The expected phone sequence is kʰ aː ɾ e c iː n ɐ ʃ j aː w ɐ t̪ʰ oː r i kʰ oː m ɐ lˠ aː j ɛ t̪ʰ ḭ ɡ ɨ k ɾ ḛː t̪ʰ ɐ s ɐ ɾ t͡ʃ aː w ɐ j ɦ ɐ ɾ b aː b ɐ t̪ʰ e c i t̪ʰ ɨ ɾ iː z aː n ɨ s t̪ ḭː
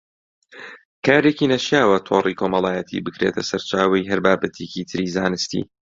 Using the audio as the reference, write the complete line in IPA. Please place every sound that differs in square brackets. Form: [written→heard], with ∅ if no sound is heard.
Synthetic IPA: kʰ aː ɾ e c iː n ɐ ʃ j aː w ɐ t̪ʰ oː r i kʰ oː m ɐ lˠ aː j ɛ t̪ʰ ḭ [ɡ→b] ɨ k ɾ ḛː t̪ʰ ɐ s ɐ ɾ t͡ʃ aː w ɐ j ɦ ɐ ɾ b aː b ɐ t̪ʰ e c i t̪ʰ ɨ ɾ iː z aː n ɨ s t̪ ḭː